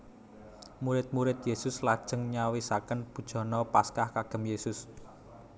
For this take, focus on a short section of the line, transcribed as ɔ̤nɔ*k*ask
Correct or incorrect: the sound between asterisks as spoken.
incorrect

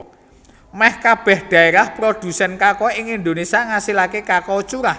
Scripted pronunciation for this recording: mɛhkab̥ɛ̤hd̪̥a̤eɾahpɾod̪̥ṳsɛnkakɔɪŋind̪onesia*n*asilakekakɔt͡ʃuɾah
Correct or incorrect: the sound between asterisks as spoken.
incorrect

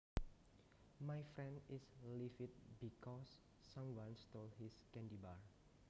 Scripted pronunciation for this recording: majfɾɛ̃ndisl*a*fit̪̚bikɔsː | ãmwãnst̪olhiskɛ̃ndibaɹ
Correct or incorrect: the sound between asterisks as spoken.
incorrect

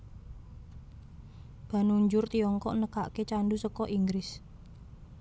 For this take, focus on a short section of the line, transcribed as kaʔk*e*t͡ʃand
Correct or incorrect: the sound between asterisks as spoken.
correct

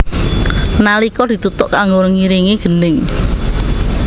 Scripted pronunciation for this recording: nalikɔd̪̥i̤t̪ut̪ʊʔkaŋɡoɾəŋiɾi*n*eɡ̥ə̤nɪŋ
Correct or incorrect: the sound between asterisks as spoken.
incorrect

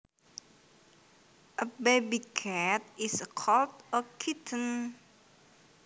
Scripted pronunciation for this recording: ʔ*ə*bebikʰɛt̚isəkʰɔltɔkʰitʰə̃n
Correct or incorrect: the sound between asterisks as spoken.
correct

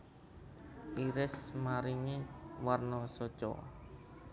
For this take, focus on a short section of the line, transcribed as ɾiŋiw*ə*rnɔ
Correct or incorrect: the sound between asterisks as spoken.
incorrect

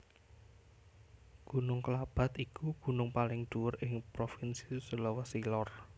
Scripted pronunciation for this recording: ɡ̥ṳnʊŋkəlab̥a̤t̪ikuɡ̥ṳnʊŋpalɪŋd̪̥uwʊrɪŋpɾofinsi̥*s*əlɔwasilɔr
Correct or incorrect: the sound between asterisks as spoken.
correct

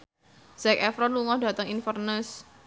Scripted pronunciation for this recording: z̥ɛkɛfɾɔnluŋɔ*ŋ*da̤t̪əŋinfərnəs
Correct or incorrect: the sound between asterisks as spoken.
incorrect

